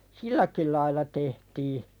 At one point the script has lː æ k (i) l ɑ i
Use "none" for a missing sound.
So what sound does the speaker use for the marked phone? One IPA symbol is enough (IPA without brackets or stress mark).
i